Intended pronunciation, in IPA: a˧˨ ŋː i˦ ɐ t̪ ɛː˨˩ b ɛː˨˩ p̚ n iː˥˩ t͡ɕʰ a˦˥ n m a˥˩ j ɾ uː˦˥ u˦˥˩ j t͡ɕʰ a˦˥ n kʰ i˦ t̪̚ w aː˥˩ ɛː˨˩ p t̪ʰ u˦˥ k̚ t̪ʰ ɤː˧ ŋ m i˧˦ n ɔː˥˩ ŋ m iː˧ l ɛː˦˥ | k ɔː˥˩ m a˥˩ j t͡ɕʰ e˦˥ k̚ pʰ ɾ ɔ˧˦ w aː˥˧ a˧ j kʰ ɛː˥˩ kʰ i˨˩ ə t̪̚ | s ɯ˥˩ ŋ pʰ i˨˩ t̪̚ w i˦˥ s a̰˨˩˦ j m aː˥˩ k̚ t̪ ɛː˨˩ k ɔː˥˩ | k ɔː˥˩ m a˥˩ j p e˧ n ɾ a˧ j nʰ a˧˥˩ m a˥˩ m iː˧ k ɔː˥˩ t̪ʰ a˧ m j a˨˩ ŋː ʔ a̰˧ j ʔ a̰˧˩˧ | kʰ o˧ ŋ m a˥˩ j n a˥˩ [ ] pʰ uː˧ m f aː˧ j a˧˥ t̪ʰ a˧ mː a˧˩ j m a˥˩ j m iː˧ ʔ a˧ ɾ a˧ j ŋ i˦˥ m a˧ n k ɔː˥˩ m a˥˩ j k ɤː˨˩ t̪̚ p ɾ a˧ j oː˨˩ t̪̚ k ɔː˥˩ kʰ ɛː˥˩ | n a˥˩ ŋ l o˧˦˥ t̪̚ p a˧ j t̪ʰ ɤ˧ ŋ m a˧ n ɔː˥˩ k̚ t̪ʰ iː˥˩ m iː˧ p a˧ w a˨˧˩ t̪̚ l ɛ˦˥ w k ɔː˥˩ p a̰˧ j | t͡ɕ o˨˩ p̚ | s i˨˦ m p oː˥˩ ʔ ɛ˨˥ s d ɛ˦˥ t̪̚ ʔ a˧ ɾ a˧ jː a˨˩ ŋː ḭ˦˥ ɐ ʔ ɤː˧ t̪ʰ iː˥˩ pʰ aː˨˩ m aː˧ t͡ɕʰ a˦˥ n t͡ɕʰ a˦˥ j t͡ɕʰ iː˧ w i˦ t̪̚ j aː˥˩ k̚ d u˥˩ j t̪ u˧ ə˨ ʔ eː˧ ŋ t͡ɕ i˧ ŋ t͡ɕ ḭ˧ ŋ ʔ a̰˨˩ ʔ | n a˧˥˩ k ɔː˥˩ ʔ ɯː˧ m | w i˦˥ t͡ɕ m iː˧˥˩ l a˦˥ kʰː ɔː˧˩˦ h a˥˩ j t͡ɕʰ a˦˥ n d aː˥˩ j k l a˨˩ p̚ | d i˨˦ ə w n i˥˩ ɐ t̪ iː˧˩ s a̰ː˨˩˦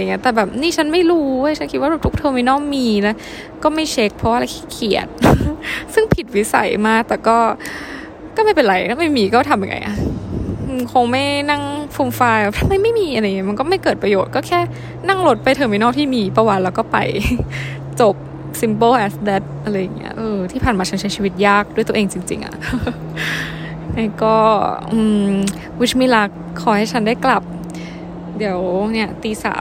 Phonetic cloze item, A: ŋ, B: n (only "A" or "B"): A